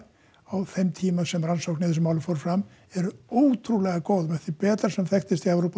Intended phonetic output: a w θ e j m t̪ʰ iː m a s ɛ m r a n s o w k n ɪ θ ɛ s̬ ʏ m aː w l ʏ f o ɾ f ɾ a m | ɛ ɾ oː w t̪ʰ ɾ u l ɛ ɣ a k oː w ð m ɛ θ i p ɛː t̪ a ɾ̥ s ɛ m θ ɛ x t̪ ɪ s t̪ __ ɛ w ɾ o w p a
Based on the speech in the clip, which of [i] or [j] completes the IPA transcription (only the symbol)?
i